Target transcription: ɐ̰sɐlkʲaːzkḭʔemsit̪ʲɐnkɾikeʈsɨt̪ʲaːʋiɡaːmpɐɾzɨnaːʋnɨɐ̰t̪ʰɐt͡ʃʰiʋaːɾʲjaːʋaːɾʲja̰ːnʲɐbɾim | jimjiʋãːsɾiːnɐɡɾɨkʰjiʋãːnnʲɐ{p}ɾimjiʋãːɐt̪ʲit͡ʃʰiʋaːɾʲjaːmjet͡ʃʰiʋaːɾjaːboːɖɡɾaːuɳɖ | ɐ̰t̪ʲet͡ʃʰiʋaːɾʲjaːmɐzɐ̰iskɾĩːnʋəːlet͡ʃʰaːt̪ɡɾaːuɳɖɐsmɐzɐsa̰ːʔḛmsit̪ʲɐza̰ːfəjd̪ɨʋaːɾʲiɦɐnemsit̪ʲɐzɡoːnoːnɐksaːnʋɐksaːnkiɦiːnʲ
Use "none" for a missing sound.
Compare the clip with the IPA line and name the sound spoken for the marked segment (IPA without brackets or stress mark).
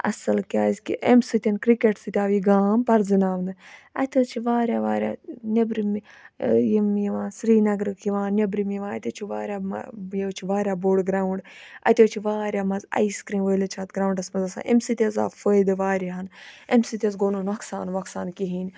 b